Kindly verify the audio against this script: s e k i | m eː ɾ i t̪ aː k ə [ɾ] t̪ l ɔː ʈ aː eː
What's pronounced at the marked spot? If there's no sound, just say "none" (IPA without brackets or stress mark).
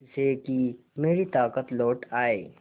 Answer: none